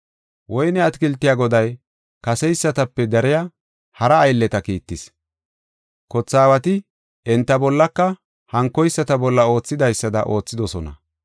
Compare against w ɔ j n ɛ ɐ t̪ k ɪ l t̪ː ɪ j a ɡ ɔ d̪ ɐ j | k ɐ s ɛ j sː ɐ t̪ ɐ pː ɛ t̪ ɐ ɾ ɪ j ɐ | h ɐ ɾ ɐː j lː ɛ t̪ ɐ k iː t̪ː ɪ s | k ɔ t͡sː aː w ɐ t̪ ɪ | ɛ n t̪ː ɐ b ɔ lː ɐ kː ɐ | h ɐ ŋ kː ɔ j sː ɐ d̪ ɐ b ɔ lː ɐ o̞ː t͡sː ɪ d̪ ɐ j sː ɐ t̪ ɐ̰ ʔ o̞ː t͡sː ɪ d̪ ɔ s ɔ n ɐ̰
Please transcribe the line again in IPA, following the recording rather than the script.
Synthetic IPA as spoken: w ɔ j n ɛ ɐ t̪ k ɪ l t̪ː ɪ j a ɡ ɔ d̪ ɐ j | k ɐ s ɛ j sː ɐ t̪ ɐ pː ɛ d̪ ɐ ɾ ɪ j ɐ | h ɐ ɾ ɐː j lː ɛ t̪ ɐ k iː t̪ː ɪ s | k ɔ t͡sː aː w ɐ t̪ ɪ | ɛ n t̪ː ɐ b ɔ lː ɐ kː ɐ | h ɐ ŋ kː ɔ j sː ɐ t̪ ɐ b ɔ lː ɐ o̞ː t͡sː ɪ d̪ ɐ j sː ɐ d̪ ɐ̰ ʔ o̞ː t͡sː ɪ d̪ ɔ s ɔ n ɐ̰